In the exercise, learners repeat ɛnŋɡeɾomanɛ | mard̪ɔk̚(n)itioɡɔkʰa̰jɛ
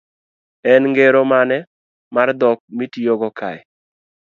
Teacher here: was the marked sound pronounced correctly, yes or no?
no